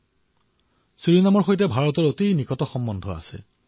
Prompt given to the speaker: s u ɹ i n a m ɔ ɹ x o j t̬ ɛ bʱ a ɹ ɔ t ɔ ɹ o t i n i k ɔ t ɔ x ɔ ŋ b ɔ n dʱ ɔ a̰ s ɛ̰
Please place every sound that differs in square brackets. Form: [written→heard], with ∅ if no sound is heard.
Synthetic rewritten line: s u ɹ i n a m ɔ ɹ x o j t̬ ɛ bʱ a ɹ ɔ t ɔ ɹ o t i n i k ɔ t ɔ x ɔ [ŋ→m] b ɔ n dʱ ɔ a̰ s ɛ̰

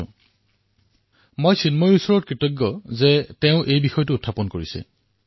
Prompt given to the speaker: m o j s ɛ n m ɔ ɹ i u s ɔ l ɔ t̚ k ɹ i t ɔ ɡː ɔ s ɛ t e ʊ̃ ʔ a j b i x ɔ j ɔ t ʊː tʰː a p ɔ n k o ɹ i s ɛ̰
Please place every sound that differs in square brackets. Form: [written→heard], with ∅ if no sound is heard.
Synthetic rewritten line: m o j s [ɛ→i] n m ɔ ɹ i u s ɔ [l→ɹ] ɔ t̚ k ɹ i t ɔ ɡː ɔ [s→z] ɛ t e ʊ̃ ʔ [a→e] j b i x ɔ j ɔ t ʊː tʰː a p ɔ n k o ɹ i s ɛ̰

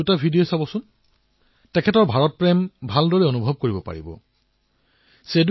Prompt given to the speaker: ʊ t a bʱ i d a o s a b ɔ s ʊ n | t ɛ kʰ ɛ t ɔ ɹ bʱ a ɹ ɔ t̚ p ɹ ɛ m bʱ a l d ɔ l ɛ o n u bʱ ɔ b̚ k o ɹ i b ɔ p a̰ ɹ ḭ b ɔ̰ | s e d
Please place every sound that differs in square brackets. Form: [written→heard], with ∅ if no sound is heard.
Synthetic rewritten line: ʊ t a bʱ i d [a→i] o s a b ɔ s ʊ n | t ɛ kʰ ɛ t ɔ ɹ bʱ a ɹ ɔ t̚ p ɹ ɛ m bʱ a l d ɔ [l→ɹ] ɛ o n u bʱ ɔ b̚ k o ɹ i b ɔ p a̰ ɹ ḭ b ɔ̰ | s e d

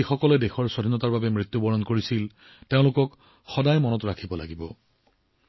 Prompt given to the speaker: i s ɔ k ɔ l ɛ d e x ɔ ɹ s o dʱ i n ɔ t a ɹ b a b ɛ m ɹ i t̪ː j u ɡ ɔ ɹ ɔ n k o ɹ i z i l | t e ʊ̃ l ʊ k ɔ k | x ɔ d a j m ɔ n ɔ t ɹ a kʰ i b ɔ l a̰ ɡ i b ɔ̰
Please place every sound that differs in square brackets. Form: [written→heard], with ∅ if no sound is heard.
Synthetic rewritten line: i [s→x] ɔ k ɔ l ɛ d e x ɔ ɹ s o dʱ i n ɔ t a ɹ b a b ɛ m ɹ i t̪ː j u [ɡ→b] ɔ ɹ ɔ n k o ɹ i [z→s] i l | t e ʊ̃ l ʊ k ɔ k | x ɔ d a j m ɔ n ɔ t ɹ a kʰ i b ɔ l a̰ ɡ i b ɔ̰

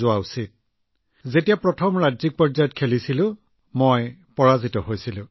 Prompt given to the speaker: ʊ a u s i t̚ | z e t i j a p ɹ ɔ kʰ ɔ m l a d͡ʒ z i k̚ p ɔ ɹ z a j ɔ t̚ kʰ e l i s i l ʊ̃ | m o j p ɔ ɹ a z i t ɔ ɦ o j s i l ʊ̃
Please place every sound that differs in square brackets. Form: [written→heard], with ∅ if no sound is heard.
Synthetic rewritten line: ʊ a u s i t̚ | z e t i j a p ɹ ɔ [kʰ→tʰ] ɔ m [l→ɹ] a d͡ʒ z i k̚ p ɔ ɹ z a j ɔ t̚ kʰ e l i s i l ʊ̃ | m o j p ɔ ɹ a z i t ɔ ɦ o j s i l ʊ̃

